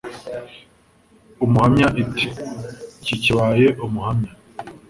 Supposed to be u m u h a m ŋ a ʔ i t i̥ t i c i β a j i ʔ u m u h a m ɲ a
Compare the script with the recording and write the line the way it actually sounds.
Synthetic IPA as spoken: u m u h a m ɲ a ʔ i t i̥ c i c i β a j e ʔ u m u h a m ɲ a